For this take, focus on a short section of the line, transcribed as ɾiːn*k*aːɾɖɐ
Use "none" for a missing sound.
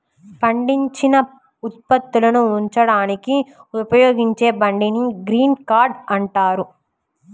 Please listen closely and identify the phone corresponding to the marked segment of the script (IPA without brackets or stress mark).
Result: k